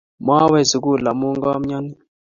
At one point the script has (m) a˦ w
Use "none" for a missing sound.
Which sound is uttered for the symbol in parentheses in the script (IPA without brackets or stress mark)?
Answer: m